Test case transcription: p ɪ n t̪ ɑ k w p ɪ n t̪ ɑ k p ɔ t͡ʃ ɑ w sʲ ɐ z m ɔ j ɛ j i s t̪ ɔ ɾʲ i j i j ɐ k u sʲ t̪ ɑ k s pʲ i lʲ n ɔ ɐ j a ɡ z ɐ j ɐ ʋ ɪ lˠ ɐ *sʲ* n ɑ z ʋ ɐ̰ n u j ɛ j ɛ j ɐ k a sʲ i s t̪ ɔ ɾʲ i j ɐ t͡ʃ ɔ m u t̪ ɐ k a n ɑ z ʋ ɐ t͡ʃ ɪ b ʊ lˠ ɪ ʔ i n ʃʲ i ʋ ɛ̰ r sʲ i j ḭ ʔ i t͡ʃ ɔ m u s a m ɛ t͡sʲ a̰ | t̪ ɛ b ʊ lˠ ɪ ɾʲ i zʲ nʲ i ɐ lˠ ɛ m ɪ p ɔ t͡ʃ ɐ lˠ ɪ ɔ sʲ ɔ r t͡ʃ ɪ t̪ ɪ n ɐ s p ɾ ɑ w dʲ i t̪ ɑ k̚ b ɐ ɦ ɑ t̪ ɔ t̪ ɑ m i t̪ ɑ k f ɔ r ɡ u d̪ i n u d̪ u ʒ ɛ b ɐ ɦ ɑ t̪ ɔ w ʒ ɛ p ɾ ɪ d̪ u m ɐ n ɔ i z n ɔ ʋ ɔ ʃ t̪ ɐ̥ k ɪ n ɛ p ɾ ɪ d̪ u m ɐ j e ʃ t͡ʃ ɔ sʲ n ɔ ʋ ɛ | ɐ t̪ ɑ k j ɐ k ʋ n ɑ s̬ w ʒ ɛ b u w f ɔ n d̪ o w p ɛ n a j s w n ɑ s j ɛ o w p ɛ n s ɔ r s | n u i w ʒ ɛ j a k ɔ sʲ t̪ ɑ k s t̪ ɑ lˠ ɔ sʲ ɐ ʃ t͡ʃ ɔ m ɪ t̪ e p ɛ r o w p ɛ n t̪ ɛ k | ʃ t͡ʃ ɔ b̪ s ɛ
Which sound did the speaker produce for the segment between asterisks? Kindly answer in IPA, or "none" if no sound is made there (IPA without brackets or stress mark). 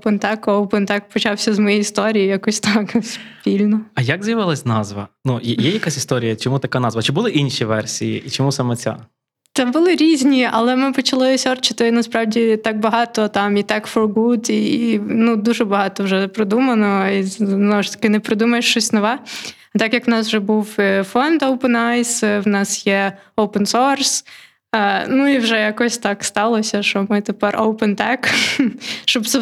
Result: sʲ